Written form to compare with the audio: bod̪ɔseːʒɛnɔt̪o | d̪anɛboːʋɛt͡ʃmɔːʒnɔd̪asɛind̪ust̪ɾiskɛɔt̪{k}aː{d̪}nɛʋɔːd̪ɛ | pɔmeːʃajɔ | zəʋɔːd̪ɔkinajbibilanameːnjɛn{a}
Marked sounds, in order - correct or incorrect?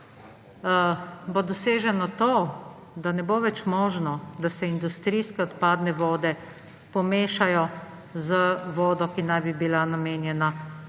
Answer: incorrect: p, correct, correct

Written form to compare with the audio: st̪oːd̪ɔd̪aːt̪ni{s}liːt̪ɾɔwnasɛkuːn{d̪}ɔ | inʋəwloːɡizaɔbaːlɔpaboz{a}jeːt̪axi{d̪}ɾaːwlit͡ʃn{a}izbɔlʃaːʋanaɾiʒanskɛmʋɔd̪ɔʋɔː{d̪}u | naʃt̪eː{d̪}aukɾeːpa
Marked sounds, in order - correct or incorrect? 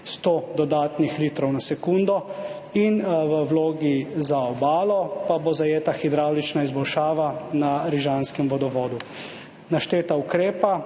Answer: incorrect: x, correct, correct, correct, correct, correct, incorrect: t̪

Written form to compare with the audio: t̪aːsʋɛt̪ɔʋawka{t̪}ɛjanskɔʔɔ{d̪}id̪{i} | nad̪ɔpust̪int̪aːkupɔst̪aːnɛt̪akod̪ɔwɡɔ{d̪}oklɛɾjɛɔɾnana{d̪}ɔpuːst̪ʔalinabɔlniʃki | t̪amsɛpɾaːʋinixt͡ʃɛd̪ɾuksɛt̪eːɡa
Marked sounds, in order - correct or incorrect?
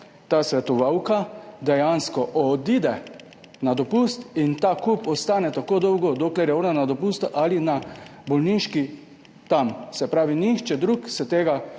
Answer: incorrect: d̪, correct, incorrect: ɛ, correct, correct

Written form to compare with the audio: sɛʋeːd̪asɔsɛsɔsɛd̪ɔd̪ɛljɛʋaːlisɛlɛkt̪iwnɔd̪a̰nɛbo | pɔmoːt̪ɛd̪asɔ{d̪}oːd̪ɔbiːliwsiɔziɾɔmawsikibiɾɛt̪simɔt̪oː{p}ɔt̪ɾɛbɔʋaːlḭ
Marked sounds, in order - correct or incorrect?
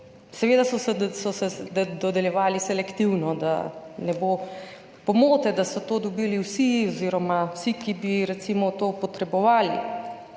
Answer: incorrect: t̪, correct

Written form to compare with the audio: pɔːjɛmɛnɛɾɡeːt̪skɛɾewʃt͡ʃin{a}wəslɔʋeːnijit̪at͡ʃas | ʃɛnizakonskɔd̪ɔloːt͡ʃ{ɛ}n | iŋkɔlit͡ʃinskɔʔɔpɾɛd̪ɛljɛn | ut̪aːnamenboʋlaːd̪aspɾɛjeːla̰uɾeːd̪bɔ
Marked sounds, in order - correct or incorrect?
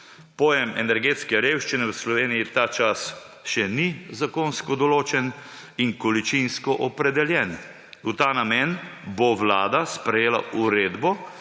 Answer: incorrect: ɛ, correct

